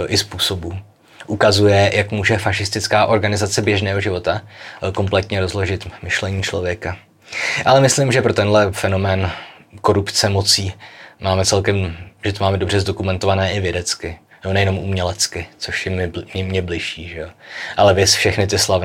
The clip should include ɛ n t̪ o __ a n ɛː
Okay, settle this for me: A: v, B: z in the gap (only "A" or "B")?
A